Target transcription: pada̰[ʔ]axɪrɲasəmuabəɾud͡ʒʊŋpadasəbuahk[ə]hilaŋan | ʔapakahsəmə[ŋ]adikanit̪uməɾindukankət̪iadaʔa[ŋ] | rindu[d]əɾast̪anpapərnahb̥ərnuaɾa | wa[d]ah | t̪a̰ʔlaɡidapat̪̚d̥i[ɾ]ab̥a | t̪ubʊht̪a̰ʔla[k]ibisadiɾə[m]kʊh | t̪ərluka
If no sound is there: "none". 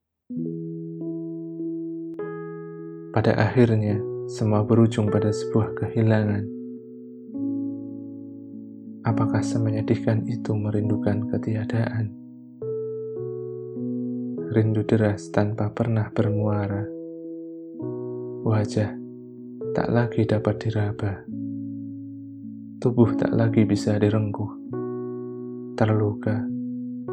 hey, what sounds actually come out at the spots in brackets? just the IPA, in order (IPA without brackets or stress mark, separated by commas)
ʔ, ə, ɲ, n, d, d͡ʒ, ɾ, ɡ, ŋ